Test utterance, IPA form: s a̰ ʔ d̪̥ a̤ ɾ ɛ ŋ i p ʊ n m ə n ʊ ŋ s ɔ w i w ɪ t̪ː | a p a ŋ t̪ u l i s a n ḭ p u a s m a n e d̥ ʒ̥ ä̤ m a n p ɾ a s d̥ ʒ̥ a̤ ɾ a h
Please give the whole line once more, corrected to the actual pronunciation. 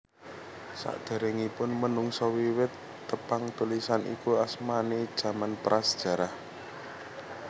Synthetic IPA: s a̰ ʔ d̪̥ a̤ ɾ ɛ ŋ i p ʊ n m ə n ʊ ŋ s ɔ w i w ɪ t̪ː | ə p a ŋ t̪ u l i s a n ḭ k u a s m a n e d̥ ʒ̥ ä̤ m a n p ɾ a s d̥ ʒ̥ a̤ ɾ a h